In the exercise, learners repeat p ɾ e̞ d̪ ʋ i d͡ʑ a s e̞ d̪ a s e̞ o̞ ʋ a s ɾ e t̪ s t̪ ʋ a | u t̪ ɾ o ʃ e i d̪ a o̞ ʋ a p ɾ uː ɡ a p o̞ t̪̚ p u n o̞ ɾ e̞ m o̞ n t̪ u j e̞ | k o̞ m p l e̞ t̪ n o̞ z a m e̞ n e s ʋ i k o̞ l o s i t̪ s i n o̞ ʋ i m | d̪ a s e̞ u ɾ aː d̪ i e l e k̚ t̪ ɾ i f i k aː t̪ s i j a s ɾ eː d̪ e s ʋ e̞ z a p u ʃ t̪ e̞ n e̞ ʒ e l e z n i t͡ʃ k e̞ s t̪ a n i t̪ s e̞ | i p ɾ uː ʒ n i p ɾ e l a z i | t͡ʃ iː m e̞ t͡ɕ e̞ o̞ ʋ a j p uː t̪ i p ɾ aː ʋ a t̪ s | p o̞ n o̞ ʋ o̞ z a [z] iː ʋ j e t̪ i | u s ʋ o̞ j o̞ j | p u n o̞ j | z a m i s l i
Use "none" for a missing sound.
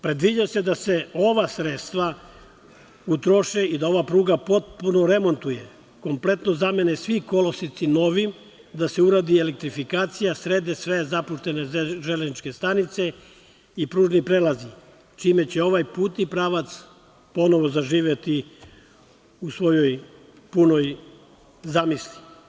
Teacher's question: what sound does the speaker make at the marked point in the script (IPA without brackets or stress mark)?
ʒ